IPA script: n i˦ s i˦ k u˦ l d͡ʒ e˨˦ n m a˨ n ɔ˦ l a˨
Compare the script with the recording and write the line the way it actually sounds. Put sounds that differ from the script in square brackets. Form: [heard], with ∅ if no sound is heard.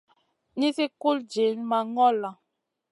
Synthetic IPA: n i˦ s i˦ k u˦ l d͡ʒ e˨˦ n m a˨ [ŋ] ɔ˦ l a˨